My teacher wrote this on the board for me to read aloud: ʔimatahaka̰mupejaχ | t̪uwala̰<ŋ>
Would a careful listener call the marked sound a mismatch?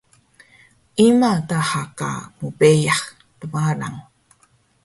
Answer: no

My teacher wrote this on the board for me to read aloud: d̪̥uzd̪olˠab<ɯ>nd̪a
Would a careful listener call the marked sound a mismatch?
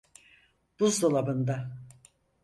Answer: no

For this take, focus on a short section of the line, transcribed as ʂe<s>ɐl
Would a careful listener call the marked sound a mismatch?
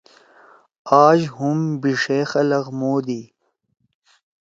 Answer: yes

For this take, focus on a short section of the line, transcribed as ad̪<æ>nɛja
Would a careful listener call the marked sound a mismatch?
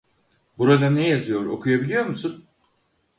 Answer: yes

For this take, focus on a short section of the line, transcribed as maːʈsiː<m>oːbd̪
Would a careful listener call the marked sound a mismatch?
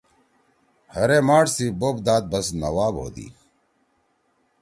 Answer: yes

